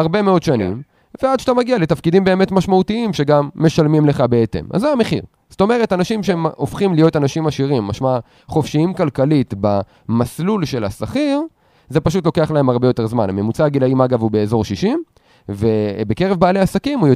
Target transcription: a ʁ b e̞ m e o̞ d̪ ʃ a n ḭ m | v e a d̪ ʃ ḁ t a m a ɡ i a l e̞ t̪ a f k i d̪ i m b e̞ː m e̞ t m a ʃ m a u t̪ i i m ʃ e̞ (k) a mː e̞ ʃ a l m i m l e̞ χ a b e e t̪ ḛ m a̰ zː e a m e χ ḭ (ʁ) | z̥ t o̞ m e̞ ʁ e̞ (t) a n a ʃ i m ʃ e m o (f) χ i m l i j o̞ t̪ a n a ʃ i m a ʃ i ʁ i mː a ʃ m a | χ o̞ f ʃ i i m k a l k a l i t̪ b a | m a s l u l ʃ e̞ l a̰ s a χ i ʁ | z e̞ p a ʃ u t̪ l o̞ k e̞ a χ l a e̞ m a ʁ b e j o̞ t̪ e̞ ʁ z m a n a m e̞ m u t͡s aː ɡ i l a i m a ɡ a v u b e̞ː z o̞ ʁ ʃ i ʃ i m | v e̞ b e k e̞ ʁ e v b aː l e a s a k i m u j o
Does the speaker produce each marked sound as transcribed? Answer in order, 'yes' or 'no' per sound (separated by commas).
no, yes, yes, yes